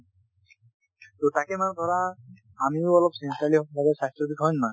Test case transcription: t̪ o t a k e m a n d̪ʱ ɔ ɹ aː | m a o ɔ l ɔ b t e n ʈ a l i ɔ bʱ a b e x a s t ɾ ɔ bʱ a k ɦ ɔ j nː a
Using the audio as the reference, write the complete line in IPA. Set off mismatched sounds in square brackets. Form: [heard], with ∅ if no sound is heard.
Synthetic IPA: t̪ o t a k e m a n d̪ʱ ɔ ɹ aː | m [i] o ɔ l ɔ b [s] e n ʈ a l i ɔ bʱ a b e [s] a s t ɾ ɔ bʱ [i] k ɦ ɔ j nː a